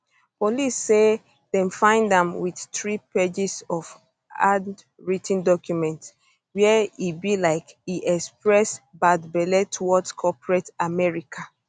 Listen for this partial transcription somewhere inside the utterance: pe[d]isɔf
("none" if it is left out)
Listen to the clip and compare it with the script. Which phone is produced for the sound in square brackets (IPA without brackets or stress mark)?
d͡ʒ